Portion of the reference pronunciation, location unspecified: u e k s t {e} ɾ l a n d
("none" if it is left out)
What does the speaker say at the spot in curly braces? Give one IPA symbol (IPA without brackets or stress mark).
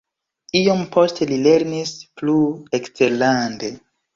e